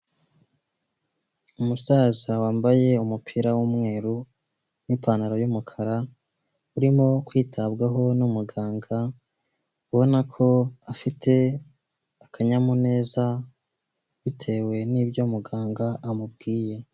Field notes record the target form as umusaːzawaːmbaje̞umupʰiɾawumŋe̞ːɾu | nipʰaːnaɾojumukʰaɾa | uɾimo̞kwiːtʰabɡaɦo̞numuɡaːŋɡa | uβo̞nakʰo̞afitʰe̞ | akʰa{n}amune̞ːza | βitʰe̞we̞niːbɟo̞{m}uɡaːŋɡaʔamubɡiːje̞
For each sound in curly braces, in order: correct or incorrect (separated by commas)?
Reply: incorrect, correct